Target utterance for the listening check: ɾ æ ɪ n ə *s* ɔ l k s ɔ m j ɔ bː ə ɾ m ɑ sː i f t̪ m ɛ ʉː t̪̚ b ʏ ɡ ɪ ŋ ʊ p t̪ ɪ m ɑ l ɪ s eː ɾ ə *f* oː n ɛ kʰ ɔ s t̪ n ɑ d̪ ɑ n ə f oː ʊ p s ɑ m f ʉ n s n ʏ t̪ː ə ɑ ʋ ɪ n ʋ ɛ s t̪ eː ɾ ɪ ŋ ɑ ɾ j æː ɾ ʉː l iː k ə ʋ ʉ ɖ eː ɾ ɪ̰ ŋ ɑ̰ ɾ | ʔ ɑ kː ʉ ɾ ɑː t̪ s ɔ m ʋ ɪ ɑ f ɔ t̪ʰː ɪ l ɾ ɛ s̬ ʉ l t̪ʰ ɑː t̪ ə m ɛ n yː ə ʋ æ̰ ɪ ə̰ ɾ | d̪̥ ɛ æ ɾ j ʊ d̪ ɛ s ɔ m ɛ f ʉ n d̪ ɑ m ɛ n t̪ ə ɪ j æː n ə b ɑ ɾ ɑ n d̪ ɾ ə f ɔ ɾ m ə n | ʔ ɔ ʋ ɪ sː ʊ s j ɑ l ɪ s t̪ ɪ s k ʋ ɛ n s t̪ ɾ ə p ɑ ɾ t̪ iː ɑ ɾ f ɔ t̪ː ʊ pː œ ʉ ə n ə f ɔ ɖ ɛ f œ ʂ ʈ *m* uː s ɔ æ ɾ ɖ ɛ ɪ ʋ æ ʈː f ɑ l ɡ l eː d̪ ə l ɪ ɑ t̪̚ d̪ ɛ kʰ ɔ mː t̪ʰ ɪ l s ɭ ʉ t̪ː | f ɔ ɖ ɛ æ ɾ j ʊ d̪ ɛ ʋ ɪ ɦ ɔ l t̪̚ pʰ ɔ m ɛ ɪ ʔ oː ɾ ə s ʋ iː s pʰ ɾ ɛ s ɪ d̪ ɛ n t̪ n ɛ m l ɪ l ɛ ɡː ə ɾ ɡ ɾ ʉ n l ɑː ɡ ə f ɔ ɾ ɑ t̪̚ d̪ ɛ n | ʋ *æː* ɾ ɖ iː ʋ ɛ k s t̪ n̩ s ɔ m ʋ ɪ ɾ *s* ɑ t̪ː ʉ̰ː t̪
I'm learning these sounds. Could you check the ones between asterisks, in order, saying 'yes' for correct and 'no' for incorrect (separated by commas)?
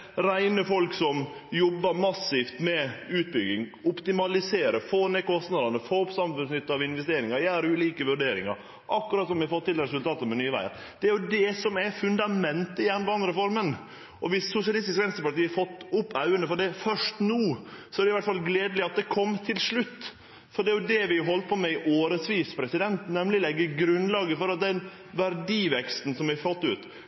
no, yes, no, no, no